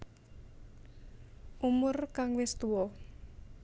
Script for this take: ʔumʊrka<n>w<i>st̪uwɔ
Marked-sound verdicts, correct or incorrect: incorrect: ŋ, incorrect: ɪ

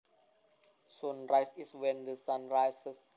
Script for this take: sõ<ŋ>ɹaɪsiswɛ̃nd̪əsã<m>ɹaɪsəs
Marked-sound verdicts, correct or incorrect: incorrect: n, incorrect: n

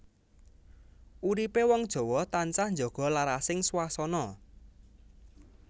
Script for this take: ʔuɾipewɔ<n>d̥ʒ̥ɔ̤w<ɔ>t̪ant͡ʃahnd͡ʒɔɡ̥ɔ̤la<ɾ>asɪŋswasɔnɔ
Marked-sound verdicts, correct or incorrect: incorrect: ŋ, correct, correct

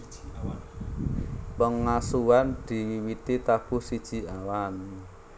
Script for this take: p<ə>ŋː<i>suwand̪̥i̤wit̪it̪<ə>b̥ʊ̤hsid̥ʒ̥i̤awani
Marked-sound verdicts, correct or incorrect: correct, incorrect: a, incorrect: a

